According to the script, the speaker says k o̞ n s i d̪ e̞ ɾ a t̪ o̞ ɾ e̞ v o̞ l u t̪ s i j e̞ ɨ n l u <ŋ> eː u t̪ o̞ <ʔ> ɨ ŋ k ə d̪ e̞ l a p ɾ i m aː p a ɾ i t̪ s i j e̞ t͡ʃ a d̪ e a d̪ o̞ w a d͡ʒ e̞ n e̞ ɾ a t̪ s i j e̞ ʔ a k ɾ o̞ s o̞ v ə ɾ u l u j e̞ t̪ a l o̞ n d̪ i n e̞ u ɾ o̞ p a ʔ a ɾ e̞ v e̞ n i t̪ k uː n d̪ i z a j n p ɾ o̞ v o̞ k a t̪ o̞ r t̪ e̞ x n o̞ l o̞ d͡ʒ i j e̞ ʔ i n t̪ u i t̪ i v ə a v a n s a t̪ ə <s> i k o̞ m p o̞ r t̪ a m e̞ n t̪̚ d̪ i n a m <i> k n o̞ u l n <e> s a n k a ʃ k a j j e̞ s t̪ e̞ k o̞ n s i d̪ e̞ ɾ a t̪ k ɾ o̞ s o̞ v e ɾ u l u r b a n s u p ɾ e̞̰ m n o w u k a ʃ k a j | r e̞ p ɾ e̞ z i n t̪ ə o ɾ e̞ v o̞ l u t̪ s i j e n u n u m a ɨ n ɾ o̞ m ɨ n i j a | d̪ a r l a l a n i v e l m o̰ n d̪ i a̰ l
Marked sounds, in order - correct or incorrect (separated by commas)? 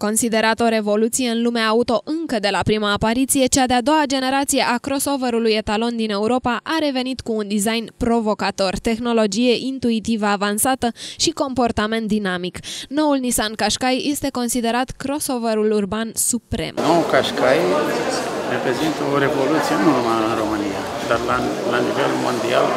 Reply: incorrect, correct, incorrect, correct, incorrect